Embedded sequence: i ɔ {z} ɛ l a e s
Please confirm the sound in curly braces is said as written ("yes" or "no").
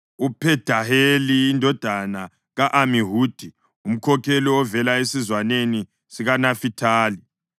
no